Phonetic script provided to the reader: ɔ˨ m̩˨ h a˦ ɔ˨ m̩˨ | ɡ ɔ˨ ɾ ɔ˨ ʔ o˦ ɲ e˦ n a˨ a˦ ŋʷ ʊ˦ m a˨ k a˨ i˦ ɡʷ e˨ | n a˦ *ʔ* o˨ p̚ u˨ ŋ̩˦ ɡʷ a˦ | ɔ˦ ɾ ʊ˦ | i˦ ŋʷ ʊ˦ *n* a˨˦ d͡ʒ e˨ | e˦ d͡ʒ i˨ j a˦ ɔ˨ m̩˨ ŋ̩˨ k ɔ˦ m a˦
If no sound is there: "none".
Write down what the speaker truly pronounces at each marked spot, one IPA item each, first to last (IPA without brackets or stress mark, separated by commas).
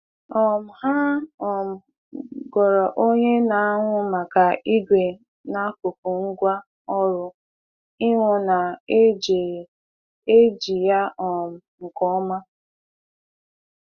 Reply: k, n